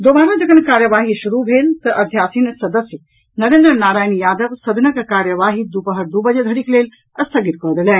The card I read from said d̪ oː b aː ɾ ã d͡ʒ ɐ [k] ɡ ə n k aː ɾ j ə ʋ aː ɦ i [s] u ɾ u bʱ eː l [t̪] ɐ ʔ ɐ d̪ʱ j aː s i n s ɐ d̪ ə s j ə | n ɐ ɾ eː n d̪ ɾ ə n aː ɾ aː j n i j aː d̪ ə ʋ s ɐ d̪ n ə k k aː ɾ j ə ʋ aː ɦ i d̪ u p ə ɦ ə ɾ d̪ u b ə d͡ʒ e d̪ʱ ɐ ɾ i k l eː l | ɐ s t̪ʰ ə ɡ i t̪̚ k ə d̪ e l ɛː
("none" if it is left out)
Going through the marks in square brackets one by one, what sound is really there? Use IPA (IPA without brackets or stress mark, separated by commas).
none, ʃ, t̪